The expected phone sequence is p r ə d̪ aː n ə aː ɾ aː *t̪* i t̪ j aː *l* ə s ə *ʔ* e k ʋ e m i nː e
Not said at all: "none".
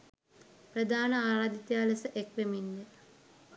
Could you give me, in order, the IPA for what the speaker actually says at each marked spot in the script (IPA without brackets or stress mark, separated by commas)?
d̪, l, ʔ